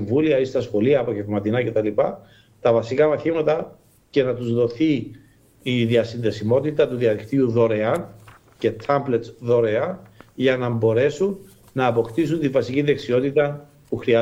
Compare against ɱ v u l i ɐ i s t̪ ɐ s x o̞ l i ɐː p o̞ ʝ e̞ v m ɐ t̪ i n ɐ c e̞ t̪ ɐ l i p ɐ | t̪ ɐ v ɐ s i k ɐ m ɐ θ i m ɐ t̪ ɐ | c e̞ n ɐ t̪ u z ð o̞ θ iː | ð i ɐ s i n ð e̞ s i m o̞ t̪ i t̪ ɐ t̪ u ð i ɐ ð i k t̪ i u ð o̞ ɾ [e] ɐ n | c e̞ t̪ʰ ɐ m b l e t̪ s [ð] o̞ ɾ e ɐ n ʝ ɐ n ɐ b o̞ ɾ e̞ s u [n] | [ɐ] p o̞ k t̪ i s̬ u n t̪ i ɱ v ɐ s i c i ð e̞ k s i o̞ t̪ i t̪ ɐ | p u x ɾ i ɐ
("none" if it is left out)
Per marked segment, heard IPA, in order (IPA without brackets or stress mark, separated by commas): e, ð, nː, ɐː